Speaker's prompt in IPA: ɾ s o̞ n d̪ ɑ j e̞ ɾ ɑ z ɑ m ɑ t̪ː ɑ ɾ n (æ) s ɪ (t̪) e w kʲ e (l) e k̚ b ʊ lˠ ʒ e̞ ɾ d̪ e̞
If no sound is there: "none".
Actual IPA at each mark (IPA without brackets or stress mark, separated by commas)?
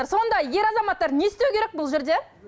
e, t̪, ɾ